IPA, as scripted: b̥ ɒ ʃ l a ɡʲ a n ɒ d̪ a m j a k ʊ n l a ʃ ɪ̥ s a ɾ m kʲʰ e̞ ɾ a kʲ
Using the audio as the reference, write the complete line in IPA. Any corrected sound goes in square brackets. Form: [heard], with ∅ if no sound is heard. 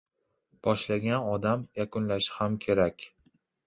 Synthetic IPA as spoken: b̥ ɒ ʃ l a ɡʲ a n ɒ d̪ a m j a k ʊ n l a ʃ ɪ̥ [h] a [∅] m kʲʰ e̞ ɾ a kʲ